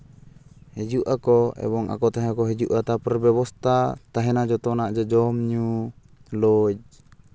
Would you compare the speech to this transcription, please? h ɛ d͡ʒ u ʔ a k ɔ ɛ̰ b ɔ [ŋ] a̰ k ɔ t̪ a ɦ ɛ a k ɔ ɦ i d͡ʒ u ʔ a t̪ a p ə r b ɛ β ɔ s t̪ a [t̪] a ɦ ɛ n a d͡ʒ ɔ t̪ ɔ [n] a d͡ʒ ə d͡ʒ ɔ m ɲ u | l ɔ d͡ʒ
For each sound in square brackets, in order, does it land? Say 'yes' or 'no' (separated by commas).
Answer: yes, yes, yes